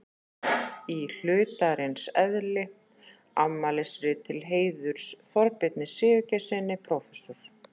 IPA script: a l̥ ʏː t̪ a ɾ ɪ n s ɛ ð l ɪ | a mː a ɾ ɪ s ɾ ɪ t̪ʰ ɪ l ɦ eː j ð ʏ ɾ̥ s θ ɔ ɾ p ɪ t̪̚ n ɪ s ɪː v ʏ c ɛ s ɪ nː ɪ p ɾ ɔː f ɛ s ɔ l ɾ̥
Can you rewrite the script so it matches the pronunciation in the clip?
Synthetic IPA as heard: i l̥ ʏː t̪ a ɾ ɪ n s ɛ ð l ɪ | a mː a l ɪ s ɾ ɪ t̪ʰ ɪ l ɦ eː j ð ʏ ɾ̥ s θ ɔ ɾ p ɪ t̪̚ n ɪ s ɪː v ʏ c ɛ s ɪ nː ɪ pʰ ɾ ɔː f ɛ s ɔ ɾ̥